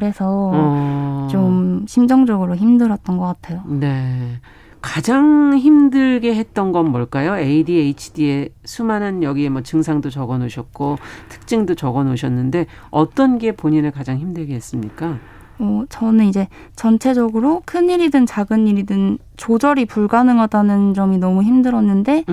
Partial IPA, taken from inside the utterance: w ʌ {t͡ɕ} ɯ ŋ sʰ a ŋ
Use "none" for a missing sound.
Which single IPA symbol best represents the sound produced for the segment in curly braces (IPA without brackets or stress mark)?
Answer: t͡ɕ